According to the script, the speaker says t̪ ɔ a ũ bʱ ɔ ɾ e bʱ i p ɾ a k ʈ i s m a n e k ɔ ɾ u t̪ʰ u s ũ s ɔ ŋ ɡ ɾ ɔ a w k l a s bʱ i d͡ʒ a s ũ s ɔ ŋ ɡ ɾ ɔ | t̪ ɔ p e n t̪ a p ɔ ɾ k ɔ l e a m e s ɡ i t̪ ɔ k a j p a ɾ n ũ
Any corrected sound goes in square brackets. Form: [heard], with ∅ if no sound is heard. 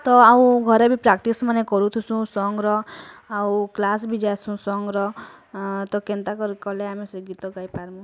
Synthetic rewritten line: t̪ ɔ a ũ [ɡʱ] ɔ ɾ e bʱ i p ɾ a k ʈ i s m a n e k ɔ ɾ u t̪ʰ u s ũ s ɔ ŋ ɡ ɾ ɔ a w k l a s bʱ i d͡ʒ a s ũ s ɔ ŋ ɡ ɾ ɔ | t̪ ɔ [k] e n t̪ a [k] ɔ ɾ k ɔ l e a m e s ɡ i t̪ ɔ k a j p a ɾ [m] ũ